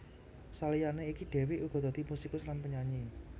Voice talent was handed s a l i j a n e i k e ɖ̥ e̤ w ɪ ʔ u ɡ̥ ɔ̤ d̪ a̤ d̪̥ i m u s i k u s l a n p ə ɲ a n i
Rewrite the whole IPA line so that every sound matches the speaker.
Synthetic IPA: s a l i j a n e i k i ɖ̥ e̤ w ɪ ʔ u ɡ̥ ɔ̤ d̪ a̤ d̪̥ i m u s i k ʊ s l a n p ə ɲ a ɲ i